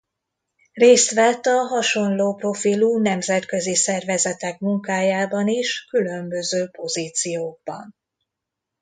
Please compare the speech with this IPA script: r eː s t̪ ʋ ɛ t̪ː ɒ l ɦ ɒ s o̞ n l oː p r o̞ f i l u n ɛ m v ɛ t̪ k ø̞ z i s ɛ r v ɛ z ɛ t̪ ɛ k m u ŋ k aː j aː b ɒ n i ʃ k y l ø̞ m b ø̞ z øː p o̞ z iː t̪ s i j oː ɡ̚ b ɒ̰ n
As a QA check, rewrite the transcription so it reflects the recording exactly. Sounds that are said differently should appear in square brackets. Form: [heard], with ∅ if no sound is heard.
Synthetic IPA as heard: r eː s t̪ ʋ ɛ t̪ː ɒ [∅] ɦ ɒ [ʃ] o̞ n l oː p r o̞ f i l u n ɛ m [z] ɛ t̪ k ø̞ z i s ɛ r v ɛ z ɛ t̪ ɛ k m u ŋ k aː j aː b ɒ n i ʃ k y l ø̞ m b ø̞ z øː p o̞ z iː t̪ s i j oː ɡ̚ b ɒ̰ n